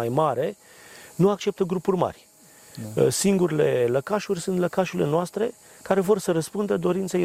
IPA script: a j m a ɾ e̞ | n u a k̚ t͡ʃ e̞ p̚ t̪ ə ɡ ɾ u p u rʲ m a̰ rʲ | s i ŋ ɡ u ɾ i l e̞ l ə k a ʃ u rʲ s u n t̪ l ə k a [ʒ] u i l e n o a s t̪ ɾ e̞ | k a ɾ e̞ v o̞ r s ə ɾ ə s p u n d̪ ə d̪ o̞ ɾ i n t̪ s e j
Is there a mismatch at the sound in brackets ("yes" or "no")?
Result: yes